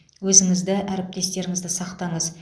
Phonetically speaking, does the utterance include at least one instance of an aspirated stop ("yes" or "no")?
no